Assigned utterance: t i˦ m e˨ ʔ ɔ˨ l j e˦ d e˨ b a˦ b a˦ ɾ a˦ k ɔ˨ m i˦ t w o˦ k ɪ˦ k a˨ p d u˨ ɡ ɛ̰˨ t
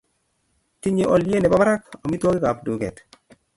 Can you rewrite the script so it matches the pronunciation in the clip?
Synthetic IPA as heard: t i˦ ɲ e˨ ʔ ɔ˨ l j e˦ n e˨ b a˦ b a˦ ɾ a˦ k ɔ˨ m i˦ t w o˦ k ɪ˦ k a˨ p d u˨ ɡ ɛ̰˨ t